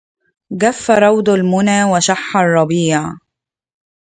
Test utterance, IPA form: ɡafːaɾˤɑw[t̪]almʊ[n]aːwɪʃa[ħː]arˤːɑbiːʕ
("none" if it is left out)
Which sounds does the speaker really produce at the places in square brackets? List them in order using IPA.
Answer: d̪, n, ħː

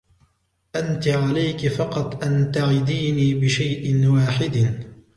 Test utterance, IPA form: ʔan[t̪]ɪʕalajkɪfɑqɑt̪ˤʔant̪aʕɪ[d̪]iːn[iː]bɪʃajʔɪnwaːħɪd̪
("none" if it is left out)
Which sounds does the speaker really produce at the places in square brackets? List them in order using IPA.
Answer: t̪, d̪, iː

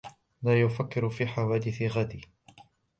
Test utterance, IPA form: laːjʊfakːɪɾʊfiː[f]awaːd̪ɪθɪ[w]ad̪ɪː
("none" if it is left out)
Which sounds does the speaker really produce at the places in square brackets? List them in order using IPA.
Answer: ħ, ɣ

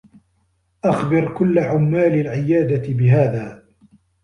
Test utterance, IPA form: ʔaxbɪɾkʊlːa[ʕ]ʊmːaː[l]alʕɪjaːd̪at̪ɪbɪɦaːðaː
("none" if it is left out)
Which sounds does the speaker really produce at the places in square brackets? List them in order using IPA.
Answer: ʕ, l

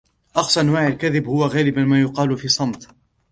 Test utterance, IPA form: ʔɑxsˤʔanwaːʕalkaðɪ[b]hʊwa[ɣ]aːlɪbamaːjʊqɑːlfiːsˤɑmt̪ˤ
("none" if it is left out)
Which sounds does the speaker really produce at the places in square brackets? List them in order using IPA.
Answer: b, ɣ

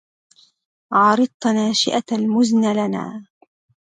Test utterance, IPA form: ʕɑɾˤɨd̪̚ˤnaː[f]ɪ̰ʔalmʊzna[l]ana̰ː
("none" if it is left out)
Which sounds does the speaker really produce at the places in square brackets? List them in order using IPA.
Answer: ʃ, l

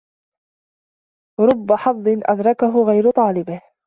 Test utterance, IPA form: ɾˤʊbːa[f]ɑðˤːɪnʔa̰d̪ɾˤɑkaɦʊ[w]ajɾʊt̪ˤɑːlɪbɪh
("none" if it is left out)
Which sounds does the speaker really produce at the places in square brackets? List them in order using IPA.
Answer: ħ, ɣ

